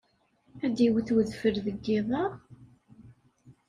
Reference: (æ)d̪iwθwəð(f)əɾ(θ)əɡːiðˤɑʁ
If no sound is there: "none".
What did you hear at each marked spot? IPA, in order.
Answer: æ, f, ð

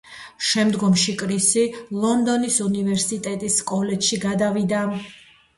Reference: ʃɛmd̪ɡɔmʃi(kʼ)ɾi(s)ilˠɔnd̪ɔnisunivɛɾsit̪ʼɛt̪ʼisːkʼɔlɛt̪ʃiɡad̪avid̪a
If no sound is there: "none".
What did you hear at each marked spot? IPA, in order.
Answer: kʼ, s

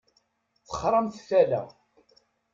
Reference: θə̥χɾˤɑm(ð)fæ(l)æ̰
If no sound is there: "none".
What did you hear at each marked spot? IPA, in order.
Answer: θ, l

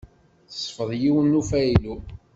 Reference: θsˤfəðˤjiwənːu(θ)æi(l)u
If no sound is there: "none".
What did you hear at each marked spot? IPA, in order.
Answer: f, l

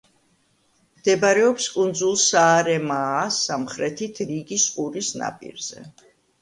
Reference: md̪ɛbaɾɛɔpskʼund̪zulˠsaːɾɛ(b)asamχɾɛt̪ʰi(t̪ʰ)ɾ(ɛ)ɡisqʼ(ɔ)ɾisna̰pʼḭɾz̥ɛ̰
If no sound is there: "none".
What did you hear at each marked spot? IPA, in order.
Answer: m, t̪ʰ, i, u

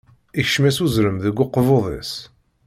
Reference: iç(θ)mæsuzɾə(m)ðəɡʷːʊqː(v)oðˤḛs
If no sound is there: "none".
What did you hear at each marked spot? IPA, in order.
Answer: ʃ, m, v

